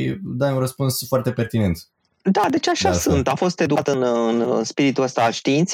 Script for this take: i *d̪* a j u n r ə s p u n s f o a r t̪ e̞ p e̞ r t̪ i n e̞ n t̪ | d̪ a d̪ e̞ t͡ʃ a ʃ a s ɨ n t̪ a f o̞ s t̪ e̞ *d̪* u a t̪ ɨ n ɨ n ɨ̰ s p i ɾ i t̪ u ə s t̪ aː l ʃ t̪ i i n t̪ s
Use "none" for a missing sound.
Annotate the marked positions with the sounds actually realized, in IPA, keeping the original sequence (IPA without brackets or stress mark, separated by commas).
d̪, d̪